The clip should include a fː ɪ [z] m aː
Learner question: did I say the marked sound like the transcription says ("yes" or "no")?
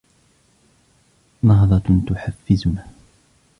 yes